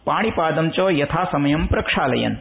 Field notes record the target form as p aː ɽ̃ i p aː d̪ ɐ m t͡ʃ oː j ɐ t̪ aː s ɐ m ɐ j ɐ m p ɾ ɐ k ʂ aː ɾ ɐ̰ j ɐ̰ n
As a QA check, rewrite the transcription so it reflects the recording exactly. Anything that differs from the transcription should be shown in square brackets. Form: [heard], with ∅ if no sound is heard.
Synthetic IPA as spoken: p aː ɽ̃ i p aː d̪ ɐ m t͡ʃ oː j ɐ [t̪ʰ] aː s ɐ m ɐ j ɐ m p ɾ ɐ k ʂ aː [l] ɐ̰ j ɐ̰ n

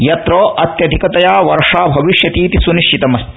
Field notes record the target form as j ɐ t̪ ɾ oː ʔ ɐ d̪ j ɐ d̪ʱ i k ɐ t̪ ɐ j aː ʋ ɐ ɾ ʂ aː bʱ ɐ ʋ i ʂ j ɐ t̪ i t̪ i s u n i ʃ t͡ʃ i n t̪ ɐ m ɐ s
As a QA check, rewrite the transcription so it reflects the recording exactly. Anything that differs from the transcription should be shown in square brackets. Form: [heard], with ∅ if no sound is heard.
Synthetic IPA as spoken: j ɐ t̪ ɾ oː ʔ ɐ [t̪] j ɐ d̪ʱ i k ɐ t̪ ɐ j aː ʋ ɐ ɾ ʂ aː bʱ ɐ ʋ i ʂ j ɐ t̪ [iː] t̪ i s u n i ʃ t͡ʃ i [∅] t̪ ɐ m ɐ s

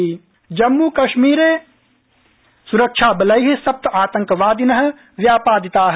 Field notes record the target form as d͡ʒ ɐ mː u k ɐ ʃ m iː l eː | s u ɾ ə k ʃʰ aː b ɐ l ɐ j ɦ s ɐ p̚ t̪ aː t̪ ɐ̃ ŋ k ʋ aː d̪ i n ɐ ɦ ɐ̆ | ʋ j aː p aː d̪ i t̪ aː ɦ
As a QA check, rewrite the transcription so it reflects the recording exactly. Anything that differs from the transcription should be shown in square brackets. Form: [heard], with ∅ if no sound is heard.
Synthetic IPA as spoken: d͡ʒ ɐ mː u k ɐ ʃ m iː [ɾ] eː | s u ɾ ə k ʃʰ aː b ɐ l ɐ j ɦ s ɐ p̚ t̪ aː t̪ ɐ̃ ŋ k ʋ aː d̪ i n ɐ ɦ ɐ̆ | ʋ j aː p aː d̪ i t̪ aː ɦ

